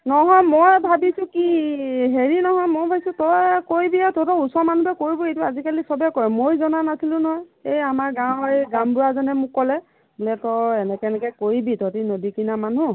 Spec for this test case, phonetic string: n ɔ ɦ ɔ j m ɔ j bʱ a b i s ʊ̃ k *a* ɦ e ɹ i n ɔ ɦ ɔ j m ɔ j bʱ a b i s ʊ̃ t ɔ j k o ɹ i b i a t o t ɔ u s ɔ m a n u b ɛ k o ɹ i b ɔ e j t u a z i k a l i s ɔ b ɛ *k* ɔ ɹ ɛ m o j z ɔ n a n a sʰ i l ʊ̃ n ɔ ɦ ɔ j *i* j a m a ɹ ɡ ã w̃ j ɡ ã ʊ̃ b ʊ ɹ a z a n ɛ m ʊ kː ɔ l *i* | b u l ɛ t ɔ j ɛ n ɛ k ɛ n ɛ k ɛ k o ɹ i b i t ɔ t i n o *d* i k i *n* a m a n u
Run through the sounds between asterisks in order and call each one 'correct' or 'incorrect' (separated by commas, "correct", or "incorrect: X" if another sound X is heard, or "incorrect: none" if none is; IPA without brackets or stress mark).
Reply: incorrect: i, correct, incorrect: e, incorrect: ɛ, correct, correct